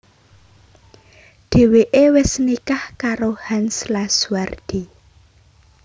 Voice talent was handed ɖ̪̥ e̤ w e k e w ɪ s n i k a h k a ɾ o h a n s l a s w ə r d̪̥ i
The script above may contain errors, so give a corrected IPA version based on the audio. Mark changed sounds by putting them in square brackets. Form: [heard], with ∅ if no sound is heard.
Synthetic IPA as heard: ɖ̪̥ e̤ w e [ʔ] e w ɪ s n i k a h k a ɾ o h a n s l a s w [a] r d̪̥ i